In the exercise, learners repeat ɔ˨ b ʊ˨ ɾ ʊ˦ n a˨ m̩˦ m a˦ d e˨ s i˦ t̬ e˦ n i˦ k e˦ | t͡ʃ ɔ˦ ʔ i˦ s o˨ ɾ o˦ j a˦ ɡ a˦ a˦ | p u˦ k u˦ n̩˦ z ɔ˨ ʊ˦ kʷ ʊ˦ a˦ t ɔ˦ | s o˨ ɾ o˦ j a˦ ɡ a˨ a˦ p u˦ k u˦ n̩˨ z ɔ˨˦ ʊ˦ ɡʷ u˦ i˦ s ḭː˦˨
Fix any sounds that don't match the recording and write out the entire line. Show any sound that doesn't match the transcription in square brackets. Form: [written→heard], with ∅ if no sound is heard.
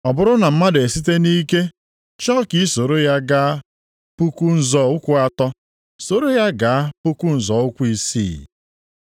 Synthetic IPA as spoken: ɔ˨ b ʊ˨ ɾ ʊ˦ n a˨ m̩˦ m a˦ d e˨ s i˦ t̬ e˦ n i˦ k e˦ | t͡ʃ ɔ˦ [ʔ→k] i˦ s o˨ ɾ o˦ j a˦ ɡ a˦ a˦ | p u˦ k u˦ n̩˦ z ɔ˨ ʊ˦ kʷ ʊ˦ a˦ t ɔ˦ | s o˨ ɾ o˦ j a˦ ɡ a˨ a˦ p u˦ k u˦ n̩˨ z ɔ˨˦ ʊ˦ [ɡʷ→kʷ] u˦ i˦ s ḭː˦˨

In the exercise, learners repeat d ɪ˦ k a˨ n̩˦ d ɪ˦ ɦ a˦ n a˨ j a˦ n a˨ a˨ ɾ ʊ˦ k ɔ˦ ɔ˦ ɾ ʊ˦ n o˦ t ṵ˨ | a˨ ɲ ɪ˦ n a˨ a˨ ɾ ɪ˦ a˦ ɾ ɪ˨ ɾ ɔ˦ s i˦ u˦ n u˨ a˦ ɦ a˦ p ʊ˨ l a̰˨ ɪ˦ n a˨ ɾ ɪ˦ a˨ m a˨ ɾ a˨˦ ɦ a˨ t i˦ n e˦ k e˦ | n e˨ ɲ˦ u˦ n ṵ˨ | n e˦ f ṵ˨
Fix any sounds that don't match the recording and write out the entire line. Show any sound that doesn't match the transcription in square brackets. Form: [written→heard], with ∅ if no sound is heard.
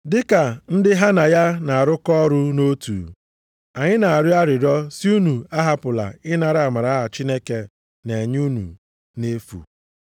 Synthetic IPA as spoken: d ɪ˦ k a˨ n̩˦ d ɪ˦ ɦ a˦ n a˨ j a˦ n a˨ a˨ ɾ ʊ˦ k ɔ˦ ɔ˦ ɾ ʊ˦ n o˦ t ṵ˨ | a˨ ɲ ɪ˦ n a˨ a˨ ɾ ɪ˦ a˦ ɾ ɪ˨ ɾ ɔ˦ s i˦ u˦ n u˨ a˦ ɦ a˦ p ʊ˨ l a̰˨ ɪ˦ n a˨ ɾ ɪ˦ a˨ m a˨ ɾ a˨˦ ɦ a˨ [t→t͡ʃ] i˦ n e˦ k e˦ | n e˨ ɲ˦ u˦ n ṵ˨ | n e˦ f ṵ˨

